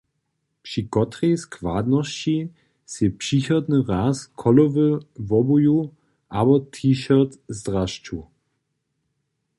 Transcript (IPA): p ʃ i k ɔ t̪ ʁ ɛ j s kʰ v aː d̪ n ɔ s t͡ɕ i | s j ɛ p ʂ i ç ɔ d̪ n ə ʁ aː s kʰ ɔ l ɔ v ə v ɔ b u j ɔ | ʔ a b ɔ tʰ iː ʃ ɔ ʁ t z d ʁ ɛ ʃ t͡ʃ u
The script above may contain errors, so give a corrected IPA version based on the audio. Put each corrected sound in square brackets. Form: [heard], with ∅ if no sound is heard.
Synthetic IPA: p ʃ i k ɔ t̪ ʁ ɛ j s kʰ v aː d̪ n ɔ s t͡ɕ i | s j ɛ p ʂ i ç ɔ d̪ n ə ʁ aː s kʰ ɔ l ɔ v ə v ɔ b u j [u] | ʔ a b ɔ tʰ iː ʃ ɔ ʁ t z d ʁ [a] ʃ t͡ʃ u

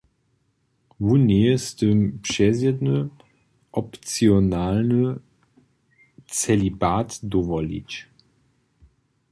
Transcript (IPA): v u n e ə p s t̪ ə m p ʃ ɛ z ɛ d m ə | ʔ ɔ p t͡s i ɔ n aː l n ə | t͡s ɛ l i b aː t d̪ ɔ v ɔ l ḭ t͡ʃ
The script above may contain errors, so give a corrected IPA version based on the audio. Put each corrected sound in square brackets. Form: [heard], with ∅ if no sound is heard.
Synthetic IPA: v u n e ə [∅] s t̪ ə m p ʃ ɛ z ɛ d [n] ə | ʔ ɔ p t͡s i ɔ n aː l n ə | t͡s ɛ l i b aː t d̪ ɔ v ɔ l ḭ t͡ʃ

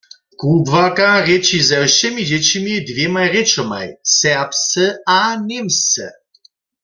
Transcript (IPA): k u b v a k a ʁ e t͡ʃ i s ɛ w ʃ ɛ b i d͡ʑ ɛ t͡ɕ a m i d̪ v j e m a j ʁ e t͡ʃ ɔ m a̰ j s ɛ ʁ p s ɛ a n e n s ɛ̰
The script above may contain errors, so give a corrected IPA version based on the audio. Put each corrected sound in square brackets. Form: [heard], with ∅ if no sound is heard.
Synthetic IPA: k u b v a k a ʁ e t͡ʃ i [z] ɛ w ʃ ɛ [m] i d͡ʑ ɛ t͡ɕ [i] m i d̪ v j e m a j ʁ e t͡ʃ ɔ m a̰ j s ɛ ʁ p s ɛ a n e [m] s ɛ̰

